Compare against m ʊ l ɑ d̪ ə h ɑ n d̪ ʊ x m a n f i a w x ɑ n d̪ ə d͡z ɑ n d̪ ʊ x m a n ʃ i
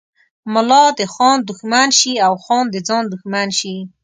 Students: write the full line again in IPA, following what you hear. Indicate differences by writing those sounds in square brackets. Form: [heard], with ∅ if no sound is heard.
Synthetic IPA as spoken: m ʊ l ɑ d̪ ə [x] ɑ n d̪ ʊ x m a n [ʃ] i a w x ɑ n d̪ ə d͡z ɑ n d̪ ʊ x m a n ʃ i